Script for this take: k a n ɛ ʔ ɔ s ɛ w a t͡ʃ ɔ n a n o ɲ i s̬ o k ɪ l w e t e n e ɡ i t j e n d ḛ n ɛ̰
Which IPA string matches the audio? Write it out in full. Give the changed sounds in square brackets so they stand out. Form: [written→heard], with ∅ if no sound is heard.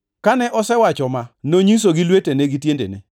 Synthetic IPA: k a n ɛ ʔ ɔ s ɛ w a t͡ʃ ɔ [n→m] a n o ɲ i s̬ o [k→ɡ] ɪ l w e t e n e ɡ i t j e n d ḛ n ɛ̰